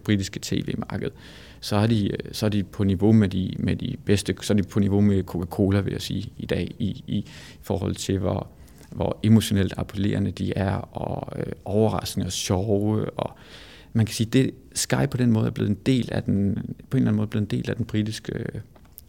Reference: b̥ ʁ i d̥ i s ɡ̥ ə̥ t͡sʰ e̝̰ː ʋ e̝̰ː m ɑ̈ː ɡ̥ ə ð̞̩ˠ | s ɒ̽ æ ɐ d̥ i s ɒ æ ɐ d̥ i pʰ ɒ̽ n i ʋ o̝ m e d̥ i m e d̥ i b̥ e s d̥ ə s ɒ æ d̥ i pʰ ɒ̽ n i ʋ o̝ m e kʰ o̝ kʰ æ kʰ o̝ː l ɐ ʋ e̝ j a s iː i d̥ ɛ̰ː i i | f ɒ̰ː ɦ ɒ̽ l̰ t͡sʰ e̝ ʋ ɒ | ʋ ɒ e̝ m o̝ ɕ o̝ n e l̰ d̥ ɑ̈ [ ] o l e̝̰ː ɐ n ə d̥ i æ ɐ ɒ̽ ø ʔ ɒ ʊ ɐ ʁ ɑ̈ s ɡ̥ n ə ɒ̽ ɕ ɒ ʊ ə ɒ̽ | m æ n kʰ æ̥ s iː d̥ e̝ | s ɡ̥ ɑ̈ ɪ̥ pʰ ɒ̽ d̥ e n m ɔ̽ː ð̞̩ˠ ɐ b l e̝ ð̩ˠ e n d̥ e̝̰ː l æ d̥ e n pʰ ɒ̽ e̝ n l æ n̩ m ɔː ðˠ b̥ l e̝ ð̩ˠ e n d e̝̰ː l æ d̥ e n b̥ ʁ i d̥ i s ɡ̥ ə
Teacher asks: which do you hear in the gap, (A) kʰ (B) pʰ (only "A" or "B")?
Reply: B